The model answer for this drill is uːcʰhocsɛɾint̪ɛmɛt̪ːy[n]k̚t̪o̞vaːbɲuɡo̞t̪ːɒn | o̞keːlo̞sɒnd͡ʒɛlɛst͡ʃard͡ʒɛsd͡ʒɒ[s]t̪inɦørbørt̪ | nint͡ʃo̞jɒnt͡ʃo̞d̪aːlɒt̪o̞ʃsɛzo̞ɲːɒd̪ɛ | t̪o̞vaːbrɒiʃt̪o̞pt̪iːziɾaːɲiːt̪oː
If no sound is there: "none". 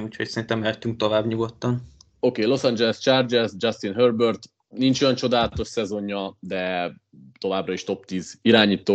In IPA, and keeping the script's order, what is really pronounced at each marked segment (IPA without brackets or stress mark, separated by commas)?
ŋ, s